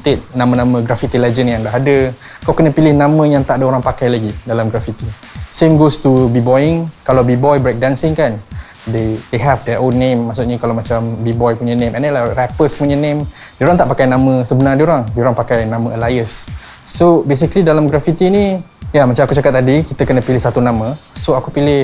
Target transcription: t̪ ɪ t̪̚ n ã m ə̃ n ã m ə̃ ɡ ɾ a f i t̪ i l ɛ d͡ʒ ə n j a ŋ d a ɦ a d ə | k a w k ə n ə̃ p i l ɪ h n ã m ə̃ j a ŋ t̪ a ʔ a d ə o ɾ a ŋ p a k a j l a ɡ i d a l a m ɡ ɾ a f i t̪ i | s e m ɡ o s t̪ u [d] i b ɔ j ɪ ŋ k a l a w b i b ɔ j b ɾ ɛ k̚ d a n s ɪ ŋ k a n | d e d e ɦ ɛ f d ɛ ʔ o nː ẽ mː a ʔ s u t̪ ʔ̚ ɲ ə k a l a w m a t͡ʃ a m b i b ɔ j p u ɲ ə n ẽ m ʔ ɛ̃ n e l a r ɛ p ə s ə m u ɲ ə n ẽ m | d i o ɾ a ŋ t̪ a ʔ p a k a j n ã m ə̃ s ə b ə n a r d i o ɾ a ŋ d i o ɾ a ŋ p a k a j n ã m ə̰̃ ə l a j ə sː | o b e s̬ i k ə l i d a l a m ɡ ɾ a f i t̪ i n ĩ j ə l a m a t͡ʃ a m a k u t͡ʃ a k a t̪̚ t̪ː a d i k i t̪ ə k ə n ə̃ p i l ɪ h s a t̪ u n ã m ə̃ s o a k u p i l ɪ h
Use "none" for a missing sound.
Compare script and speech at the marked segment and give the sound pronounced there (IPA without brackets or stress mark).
b